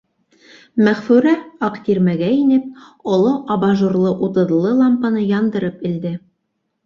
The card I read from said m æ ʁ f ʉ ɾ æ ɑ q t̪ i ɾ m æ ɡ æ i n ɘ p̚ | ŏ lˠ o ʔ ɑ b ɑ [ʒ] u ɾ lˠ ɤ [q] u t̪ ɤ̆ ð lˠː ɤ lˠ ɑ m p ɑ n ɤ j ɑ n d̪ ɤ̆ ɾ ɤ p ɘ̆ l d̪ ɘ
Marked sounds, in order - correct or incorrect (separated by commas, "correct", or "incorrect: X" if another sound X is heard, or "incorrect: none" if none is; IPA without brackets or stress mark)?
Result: correct, incorrect: ʔ